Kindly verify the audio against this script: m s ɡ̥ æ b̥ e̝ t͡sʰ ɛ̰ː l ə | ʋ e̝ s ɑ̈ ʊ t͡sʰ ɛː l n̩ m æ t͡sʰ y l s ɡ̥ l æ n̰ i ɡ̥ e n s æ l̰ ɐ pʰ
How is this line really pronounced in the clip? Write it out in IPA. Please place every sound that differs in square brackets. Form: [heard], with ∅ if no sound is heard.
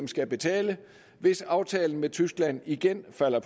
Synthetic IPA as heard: m s ɡ̥ æ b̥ e̝ t͡sʰ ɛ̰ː l ə | ʋ e̝ s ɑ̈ ʊ t͡sʰ ɛː l n̩ m [e] t͡sʰ y [∅] s ɡ̥ l æ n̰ i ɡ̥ e n [f] æ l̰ ɐ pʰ